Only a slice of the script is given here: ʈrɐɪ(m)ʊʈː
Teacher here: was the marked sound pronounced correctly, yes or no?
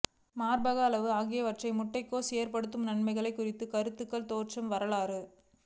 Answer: yes